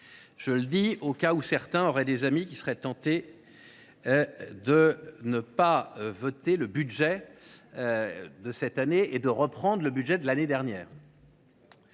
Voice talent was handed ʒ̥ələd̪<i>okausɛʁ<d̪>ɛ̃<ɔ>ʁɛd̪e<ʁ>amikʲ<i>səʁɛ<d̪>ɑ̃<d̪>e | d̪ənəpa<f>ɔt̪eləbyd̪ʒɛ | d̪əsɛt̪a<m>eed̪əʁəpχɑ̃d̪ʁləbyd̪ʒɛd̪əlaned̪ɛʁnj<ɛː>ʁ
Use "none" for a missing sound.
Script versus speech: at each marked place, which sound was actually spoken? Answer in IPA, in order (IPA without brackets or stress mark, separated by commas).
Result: i, t̪, ɔ, z, i, t̪, t̪, v, n, ɛː